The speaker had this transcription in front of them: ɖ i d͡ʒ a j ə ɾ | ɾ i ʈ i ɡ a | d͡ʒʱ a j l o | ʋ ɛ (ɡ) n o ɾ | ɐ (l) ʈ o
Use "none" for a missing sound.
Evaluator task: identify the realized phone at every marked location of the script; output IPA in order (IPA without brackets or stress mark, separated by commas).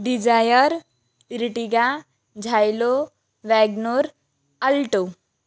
ɡ, l